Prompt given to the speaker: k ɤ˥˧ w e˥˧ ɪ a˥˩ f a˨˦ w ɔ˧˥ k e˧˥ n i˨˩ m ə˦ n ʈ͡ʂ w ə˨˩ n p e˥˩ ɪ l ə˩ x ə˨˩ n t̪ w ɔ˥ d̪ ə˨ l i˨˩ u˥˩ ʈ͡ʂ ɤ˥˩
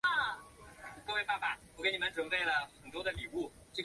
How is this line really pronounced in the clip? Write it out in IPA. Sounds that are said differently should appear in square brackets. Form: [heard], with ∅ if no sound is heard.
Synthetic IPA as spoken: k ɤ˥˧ w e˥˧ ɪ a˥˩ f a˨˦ w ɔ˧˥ k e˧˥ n i˨˩ m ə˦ n ʈ͡ʂ w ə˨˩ n p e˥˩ ɪ l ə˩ x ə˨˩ n t̪ w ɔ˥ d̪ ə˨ l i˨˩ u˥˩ ʈ͡ʂ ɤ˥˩